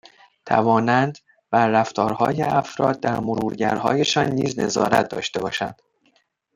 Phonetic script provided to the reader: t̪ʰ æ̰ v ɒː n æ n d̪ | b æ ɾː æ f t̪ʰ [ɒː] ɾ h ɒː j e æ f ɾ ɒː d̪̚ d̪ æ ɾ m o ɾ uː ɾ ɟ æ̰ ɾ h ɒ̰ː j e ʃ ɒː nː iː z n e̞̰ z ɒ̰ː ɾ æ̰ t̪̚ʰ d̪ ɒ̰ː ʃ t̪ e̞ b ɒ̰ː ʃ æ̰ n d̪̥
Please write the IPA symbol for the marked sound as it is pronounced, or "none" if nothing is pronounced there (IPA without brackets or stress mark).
ɒː